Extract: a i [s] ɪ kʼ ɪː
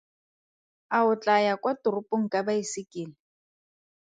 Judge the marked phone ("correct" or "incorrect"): correct